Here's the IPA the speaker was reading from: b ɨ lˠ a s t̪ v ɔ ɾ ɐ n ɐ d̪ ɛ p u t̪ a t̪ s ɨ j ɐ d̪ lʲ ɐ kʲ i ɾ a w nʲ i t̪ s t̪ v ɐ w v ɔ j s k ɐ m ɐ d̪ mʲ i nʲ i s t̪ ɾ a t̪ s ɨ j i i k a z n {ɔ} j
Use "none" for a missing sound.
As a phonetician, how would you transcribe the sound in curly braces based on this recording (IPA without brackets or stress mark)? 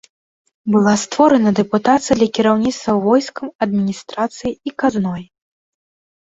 ɔ